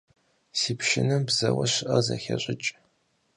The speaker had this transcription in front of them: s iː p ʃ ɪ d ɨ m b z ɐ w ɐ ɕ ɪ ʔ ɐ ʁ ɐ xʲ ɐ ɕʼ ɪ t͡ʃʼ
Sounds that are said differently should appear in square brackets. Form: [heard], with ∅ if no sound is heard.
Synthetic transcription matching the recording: s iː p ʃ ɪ [n] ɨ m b z ɐ w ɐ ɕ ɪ ʔ ɐ [z] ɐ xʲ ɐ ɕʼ ɪ t͡ʃʼ